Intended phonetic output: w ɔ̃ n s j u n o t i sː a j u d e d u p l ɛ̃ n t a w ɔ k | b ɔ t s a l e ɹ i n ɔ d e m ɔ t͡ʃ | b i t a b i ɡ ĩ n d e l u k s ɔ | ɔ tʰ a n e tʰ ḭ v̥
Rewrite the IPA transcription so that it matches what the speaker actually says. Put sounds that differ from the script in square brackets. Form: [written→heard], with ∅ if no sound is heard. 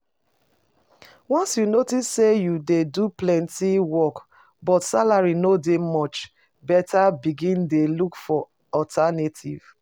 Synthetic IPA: w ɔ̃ n s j u n o t i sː [a→e] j u d e d u p l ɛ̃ n t [a→i] w ɔ k | b ɔ t s a l [e→a] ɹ i n [ɔ→o] d e m ɔ t͡ʃ | b [i→ɛ] t a b i ɡ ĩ n d e l u k [s→f] ɔ | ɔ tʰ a n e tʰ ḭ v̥